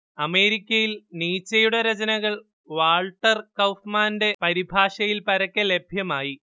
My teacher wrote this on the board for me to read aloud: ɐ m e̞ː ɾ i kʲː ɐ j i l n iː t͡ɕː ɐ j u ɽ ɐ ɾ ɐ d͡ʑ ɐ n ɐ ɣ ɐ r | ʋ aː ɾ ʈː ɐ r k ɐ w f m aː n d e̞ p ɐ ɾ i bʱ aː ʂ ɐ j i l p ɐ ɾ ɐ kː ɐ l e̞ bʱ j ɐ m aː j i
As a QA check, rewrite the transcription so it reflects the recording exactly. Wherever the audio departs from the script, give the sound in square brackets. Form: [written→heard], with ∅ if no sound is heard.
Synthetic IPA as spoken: ɐ m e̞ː ɾ i kʲː ɐ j i l n iː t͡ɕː ɐ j u ɽ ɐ ɾ ɐ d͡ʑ ɐ n ɐ ɣ ɐ [r→ɭ] | ʋ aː [ɾ→ɭ] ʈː ɐ r k ɐ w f m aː n d e̞ p ɐ ɾ i bʱ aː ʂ ɐ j i l p ɐ ɾ ɐ kː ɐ l e̞ bʱ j ɐ m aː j i

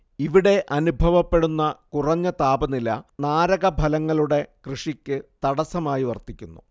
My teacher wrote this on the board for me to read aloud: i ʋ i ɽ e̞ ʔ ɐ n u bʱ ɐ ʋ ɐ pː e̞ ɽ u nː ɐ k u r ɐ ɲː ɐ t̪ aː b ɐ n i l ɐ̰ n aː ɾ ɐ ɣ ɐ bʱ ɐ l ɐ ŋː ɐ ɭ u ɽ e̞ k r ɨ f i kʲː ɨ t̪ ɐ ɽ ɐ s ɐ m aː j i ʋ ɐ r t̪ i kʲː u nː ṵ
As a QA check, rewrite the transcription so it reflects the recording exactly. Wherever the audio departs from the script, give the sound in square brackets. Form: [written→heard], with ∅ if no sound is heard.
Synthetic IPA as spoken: i ʋ i ɽ e̞ ʔ ɐ n u bʱ ɐ ʋ ɐ pː e̞ ɽ u nː ɐ k u r ɐ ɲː ɐ t̪ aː b ɐ n i l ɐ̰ n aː ɾ ɐ ɣ ɐ bʱ ɐ l ɐ ŋː ɐ ɭ u ɽ e̞ k r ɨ [f→ʂ] i kʲː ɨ t̪ ɐ ɽ ɐ s ɐ m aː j i ʋ ɐ r t̪ i kʲː u nː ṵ

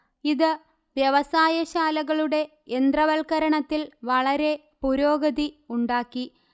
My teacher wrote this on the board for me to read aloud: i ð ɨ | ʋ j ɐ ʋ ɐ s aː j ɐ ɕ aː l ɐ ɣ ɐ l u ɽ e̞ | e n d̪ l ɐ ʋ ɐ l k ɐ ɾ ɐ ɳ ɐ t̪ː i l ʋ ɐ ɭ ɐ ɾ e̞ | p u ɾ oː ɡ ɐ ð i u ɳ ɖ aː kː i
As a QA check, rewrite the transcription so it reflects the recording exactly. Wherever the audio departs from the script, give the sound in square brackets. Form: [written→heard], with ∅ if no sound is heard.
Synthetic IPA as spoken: i ð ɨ | ʋ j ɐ ʋ ɐ s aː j ɐ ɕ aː l ɐ ɣ ɐ [l→ɭ] u ɽ e̞ | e n d̪ [l→r] ɐ ʋ ɐ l k ɐ ɾ ɐ ɳ ɐ t̪ː i l ʋ ɐ ɭ ɐ ɾ e̞ | p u ɾ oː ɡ ɐ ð i u ɳ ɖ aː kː i

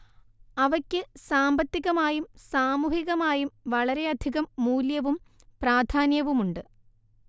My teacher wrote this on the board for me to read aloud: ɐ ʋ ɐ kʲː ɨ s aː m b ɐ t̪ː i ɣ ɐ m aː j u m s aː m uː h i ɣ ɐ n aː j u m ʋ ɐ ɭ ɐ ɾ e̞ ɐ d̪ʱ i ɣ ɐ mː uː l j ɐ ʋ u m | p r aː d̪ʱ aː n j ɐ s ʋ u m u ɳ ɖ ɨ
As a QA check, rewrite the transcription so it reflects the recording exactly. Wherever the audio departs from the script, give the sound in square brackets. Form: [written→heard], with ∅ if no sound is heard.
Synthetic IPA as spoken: ɐ ʋ ɐ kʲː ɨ s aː m b ɐ t̪ː i ɣ ɐ m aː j u m s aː m uː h i ɣ ɐ [n→m] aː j u m ʋ ɐ ɭ ɐ ɾ e̞ ɐ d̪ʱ i ɣ ɐ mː uː l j ɐ ʋ u m | p r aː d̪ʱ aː n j ɐ [s→∅] ʋ u m u ɳ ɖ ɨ

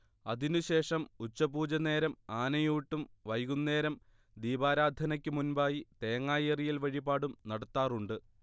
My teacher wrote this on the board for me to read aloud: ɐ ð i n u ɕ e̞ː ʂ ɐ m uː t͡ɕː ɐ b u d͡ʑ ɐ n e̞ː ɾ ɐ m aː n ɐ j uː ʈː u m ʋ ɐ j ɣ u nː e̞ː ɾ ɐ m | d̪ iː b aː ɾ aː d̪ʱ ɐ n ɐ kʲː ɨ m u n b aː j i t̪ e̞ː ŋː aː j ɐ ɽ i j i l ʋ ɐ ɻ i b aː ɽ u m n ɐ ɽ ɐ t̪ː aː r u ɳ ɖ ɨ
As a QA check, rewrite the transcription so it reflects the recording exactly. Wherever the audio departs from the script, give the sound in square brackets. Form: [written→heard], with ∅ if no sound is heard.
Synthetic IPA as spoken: ɐ ð i n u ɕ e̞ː ʂ ɐ m [uː→u] t͡ɕː ɐ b [u→uː] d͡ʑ ɐ n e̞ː ɾ ɐ m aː n ɐ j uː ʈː u m ʋ ɐ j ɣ u nː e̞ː ɾ ɐ m | d̪ iː b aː ɾ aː d̪ʱ ɐ n ɐ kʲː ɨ m u n b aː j i t̪ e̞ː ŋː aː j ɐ [ɽ→r] i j i l ʋ ɐ ɻ i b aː ɽ u m n ɐ ɽ ɐ t̪ː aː r u ɳ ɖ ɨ

